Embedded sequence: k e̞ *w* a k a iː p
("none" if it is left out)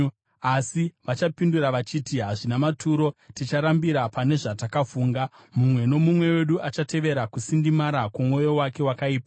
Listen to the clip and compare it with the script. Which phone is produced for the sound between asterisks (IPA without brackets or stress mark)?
w